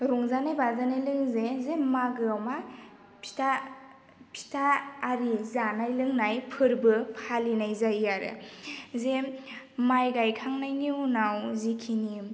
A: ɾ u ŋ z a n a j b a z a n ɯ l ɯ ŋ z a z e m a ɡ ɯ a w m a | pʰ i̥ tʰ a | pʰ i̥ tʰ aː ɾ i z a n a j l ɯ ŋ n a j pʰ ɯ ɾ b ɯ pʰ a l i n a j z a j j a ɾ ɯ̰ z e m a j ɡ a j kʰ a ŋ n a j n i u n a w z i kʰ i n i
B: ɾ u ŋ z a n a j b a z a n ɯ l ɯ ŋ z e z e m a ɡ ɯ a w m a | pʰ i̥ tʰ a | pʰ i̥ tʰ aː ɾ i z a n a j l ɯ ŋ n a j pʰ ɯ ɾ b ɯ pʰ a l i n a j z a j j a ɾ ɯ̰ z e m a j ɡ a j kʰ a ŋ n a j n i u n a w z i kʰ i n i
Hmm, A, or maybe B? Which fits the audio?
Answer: B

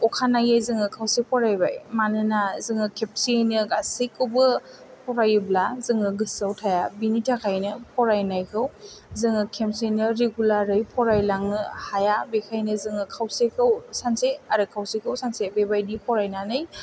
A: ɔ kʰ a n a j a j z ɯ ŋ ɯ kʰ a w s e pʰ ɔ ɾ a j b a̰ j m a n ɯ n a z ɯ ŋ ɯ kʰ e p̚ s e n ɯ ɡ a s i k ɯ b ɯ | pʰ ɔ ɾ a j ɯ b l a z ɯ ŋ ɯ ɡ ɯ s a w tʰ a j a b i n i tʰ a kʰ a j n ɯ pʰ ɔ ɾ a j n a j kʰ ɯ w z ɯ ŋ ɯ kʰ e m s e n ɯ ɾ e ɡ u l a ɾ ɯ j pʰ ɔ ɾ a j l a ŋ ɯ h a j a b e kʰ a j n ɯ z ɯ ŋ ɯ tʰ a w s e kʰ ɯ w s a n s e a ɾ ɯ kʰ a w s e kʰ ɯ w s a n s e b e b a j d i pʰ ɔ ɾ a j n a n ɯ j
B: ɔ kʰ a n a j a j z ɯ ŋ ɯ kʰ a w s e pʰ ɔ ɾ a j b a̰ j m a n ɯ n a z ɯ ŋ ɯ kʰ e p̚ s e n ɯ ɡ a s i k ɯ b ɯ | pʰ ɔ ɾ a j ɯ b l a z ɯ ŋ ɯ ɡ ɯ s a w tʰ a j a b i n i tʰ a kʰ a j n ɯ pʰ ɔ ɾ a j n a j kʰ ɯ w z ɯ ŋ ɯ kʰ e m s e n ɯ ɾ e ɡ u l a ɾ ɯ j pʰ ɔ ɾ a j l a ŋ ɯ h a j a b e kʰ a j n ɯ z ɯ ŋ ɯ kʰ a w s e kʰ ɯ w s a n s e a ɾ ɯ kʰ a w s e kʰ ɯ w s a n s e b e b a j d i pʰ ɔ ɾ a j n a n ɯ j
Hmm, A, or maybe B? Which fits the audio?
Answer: B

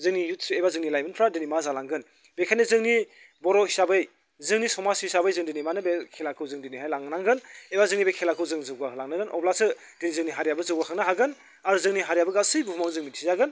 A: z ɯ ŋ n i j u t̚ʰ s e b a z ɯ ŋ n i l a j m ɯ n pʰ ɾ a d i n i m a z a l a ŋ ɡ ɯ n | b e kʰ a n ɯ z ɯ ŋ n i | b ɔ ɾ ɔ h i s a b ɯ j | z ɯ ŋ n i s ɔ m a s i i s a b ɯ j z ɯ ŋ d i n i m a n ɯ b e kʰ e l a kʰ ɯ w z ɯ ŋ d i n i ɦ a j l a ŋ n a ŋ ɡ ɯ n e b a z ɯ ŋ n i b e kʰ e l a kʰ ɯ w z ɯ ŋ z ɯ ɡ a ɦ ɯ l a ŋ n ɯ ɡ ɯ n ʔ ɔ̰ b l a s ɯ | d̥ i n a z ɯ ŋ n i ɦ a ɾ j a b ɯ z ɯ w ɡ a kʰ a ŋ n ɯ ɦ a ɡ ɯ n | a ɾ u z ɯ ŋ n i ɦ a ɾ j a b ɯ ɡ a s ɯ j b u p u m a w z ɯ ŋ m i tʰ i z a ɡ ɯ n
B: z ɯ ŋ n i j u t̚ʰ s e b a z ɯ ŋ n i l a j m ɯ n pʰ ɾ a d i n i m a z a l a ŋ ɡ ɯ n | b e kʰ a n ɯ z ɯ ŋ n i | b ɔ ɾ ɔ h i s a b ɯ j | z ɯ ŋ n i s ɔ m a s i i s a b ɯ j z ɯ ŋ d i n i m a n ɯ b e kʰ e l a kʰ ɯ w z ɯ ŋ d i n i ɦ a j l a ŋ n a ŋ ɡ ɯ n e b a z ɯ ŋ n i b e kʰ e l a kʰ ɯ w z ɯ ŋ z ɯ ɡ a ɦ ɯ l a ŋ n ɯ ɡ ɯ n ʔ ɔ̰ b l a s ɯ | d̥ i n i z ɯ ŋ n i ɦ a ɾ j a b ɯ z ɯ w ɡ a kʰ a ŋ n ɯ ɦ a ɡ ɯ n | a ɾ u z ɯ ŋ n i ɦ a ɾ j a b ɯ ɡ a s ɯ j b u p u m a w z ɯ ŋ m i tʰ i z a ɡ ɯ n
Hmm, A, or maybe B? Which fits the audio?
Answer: B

